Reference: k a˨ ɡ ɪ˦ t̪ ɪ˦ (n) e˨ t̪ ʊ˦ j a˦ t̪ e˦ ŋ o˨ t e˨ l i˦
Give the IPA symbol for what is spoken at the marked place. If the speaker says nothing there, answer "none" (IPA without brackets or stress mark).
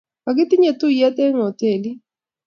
ɲ